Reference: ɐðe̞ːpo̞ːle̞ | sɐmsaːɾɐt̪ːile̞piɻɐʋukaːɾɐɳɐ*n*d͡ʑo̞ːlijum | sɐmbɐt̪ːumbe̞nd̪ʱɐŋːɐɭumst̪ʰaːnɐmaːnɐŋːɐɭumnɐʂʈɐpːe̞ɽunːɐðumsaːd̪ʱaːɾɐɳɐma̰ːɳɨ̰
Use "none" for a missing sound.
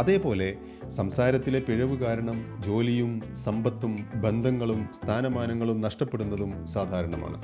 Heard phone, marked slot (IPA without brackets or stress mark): m